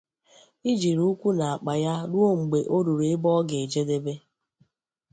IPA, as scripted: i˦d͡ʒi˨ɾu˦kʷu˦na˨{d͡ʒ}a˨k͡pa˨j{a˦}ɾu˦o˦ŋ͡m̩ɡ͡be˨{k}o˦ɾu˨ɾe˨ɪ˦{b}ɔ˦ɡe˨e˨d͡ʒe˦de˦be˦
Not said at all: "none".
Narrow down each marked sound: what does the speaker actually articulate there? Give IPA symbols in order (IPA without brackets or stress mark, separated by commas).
none, a˦, ʔ, b